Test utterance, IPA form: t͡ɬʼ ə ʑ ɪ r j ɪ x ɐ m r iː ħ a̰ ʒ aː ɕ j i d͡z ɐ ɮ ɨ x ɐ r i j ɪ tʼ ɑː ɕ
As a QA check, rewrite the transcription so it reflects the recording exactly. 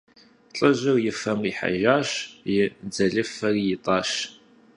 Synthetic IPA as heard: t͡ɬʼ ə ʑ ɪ r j ɪ f ɐ m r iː ħ a̰ ʒ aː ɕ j ɪ d͡z ɐ ɮ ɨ f ɐ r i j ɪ tʼ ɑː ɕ